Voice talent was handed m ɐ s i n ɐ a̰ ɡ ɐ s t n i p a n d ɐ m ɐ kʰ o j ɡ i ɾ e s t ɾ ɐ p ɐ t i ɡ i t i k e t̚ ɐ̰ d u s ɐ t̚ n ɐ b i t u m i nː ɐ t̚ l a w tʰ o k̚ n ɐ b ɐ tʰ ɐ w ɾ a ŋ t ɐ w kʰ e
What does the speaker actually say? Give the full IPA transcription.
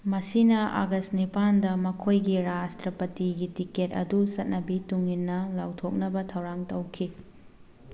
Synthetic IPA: m ɐ s i n ɐ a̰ ɡ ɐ s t n i p a n d ɐ m ɐ kʰ o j ɡ i ɾ a s t ɾ ɐ p ɐ t i ɡ i t i k e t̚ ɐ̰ d u s ɐ t̚ n ɐ b i t u ŋ i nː ɐ l a w tʰ o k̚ n ɐ b ɐ tʰ ɐ w ɾ a ŋ t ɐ w kʰ i